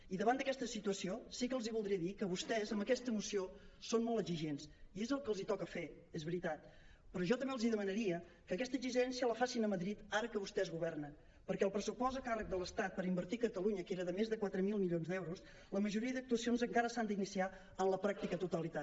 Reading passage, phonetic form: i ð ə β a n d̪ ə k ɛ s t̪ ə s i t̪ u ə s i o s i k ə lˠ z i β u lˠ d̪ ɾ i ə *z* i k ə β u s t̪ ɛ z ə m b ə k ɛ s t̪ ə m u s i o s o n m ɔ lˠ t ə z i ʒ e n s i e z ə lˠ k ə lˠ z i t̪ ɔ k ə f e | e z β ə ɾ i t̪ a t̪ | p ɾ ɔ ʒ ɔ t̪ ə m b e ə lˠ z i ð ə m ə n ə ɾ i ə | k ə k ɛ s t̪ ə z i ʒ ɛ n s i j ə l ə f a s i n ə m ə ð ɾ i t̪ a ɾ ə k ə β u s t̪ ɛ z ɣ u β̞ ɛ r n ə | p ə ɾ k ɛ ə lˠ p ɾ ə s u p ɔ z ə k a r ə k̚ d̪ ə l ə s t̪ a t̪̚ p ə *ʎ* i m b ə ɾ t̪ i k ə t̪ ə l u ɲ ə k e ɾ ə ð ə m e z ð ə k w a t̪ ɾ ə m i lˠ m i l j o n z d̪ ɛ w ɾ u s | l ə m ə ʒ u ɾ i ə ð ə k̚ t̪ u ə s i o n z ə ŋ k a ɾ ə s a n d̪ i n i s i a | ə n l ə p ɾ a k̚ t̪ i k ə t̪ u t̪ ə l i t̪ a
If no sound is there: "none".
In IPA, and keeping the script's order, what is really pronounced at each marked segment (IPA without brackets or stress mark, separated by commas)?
ð, ɾ